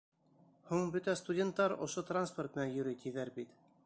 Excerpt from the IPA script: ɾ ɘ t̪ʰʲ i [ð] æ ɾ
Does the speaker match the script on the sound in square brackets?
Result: yes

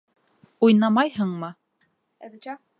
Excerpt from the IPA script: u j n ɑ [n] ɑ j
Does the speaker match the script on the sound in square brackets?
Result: no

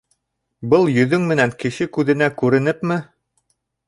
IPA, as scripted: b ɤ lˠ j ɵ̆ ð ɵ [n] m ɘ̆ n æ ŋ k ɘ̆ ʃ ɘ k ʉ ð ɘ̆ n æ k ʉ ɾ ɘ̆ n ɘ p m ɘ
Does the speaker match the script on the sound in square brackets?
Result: no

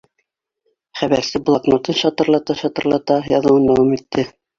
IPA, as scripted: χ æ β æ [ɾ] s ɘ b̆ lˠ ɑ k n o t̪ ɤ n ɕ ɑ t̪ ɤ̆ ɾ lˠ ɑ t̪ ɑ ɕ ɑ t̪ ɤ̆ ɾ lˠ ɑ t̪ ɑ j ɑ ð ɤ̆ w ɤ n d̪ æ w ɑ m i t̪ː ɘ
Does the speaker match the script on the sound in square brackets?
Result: yes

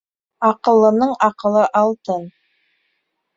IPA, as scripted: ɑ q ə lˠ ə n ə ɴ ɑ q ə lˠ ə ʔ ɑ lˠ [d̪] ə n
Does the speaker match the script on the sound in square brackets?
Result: no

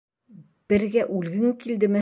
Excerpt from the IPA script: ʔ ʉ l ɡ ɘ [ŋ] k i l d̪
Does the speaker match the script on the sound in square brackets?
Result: yes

